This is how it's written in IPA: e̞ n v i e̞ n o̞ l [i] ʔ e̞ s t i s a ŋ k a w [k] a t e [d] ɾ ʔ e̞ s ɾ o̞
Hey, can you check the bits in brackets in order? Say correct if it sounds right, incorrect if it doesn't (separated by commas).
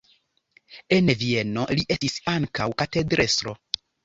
correct, correct, correct